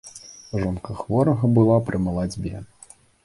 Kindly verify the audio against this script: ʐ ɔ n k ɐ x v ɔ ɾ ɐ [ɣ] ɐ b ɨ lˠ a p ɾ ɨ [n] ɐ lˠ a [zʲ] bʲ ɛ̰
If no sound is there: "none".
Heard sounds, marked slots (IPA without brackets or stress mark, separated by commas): ɣ, m, d͡zʲ